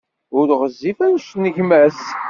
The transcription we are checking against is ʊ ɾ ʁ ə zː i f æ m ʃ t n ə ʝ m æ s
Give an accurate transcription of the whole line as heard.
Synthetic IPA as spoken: ʊ ɾ ʁ ə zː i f æ n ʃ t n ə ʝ m æ s